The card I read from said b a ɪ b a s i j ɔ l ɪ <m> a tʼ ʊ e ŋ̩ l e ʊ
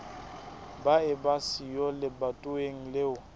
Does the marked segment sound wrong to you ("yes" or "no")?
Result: yes